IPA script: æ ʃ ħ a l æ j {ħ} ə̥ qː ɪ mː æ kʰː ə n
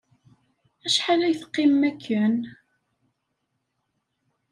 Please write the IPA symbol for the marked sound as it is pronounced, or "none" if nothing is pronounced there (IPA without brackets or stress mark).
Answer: θ